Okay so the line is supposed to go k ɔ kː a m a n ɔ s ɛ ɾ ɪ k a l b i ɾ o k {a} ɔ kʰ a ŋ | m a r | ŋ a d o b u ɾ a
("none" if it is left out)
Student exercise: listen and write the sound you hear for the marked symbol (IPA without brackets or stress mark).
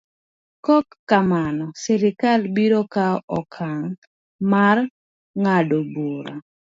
a